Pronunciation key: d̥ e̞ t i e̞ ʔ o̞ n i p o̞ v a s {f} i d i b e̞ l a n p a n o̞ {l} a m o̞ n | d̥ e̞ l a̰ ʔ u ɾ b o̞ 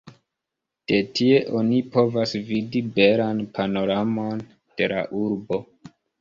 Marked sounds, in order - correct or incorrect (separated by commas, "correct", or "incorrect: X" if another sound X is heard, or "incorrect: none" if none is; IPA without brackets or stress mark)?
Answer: incorrect: v, incorrect: ɾ